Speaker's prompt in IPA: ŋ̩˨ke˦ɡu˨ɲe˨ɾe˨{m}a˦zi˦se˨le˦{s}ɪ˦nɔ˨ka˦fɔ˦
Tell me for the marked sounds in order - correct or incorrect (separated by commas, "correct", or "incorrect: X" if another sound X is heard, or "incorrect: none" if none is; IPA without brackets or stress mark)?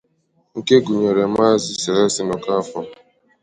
correct, correct